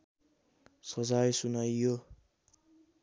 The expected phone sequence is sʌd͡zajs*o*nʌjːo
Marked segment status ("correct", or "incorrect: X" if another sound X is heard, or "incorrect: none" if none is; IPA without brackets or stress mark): incorrect: u